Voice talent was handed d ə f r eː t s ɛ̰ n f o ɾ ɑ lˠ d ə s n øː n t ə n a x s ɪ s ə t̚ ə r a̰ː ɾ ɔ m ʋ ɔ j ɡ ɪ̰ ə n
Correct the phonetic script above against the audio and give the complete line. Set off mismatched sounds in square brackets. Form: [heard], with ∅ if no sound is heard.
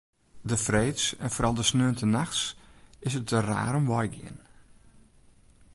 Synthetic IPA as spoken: d ə f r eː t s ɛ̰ n f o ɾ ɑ lˠ d ə s n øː n t ə n a x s ɪ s ə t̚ ə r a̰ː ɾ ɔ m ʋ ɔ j ɡ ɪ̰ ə n